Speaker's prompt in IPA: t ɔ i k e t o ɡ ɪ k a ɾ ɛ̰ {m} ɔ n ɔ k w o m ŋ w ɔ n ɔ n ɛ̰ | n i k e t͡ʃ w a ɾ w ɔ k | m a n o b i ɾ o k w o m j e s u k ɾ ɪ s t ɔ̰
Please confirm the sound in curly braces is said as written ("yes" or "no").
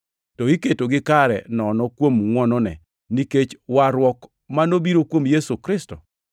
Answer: no